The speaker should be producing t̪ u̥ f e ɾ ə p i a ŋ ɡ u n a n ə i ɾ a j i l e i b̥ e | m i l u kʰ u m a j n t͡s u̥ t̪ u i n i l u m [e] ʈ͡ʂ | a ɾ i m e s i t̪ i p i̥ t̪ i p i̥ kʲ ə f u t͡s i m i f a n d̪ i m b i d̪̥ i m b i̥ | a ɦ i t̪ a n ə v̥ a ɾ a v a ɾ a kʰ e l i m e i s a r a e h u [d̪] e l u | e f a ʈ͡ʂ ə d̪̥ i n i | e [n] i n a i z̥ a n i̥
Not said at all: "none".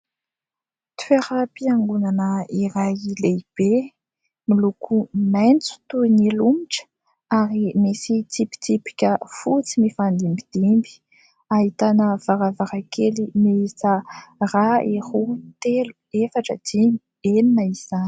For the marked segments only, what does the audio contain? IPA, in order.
i, t̪, n

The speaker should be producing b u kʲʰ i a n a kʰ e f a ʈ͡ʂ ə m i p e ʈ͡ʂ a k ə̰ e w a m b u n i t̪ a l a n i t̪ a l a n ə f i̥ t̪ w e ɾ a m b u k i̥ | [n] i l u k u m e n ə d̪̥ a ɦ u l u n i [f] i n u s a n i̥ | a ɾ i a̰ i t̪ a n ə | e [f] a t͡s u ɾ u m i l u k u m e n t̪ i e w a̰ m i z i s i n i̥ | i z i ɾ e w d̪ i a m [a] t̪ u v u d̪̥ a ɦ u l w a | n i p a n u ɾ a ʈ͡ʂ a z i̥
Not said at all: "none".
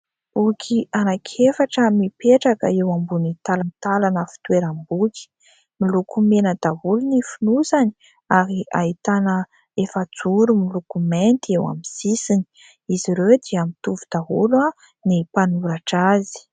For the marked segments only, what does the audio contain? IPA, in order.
m, f, f, i

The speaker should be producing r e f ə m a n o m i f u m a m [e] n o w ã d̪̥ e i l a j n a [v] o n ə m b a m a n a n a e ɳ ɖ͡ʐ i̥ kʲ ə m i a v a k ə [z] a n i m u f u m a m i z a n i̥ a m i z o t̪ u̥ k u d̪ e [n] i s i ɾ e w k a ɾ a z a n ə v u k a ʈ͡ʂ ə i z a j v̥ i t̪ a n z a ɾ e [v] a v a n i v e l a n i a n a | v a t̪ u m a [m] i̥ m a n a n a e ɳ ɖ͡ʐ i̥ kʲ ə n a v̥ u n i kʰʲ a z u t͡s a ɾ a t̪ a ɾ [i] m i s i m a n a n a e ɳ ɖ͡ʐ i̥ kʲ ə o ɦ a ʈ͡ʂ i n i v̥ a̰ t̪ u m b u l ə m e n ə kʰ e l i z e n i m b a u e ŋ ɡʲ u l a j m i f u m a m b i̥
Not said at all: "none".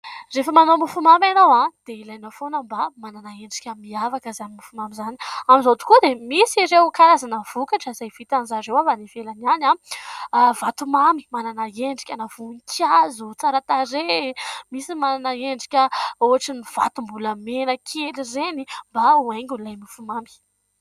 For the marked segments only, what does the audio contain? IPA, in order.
a, f, z, m, w, m, e

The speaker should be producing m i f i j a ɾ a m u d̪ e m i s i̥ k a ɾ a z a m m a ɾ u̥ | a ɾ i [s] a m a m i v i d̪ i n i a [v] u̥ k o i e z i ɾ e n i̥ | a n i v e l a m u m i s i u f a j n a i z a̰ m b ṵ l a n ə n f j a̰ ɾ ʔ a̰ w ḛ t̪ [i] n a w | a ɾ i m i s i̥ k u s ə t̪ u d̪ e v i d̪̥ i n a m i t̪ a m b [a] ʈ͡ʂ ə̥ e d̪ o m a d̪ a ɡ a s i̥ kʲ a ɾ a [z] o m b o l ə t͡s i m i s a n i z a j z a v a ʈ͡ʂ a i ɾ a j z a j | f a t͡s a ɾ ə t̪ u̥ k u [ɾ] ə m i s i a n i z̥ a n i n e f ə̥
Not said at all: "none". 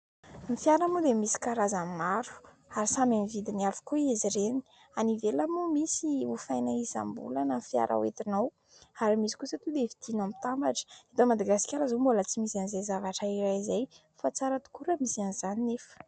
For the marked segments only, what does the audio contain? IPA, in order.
s, f, i, a, z, ɾ

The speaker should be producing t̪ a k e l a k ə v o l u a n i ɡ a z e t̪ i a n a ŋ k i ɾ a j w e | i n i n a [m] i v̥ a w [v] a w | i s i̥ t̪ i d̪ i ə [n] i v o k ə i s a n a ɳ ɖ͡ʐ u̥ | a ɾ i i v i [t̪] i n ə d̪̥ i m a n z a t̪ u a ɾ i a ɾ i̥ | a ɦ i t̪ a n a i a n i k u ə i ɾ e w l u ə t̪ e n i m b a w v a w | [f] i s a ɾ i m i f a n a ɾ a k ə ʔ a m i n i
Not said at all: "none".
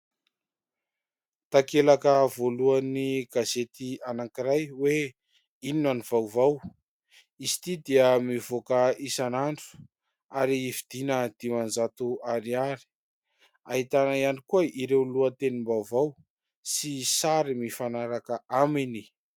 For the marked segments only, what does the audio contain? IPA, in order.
n, v, m, d̪, s

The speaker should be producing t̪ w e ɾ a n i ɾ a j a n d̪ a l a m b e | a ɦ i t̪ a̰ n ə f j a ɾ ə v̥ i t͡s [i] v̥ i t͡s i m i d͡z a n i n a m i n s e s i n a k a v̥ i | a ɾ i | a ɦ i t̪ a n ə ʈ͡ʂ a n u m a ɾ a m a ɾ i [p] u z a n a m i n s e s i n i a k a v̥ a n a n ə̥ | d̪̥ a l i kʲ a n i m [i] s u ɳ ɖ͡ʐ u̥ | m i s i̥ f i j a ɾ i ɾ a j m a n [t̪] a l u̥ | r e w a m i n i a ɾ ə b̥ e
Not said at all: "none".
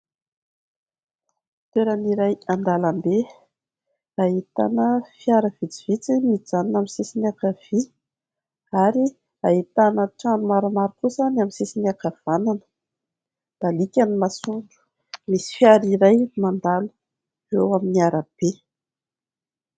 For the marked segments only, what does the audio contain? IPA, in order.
i, k, a, d̪

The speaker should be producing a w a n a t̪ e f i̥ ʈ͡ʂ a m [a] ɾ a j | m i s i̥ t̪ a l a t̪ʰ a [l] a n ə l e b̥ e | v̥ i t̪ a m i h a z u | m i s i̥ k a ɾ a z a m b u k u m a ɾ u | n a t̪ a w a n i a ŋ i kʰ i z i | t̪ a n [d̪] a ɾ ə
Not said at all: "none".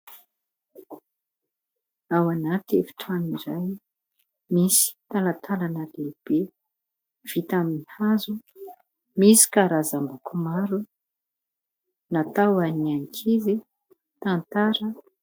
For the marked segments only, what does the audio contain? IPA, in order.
i, l, t̪

